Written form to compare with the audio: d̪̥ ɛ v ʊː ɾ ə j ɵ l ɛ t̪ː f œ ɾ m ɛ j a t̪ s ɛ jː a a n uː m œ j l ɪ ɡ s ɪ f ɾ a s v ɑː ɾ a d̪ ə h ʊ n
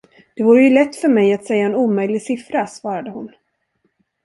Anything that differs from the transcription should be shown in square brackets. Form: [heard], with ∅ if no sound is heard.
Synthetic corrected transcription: d̪̥ ɛ v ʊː ɾ ə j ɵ l ɛ t̪ː f œ ɾ m ɛ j a t̪ s ɛ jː a [ɛ] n uː m œ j l ɪ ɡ s ɪ f ɾ a s v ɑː ɾ a d̪ ə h ʊ n